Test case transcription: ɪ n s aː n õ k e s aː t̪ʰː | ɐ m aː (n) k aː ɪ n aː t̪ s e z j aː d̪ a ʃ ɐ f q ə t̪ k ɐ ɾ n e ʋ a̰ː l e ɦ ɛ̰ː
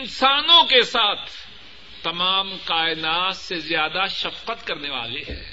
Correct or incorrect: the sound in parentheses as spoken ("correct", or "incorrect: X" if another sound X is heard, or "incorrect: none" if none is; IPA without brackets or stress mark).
incorrect: m